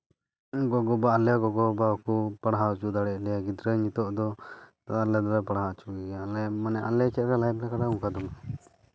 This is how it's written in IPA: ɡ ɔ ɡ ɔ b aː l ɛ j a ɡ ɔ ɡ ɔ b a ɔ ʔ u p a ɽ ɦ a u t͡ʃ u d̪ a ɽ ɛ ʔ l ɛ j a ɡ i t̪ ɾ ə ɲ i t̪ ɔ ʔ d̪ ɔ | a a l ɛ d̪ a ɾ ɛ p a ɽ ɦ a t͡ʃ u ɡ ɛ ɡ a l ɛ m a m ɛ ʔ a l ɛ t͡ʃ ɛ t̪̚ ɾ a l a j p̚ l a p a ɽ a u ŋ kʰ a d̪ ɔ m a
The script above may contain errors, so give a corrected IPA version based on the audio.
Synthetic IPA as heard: ɡ ɔ ɡ ɔ b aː l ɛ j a ɡ ɔ ɡ ɔ b a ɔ k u p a ɽ ɦ a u t͡ʃ u d̪ a ɽ ɛ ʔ l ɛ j a ɡ i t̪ ɾ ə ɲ i t̪ ɔ ʔ d̪ ɔ | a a l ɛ d̪ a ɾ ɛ p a ɽ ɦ a t͡ʃ u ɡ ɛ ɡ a l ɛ m a n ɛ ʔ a l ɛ t͡ʃ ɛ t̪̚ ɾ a l a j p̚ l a k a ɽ a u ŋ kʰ a d̪ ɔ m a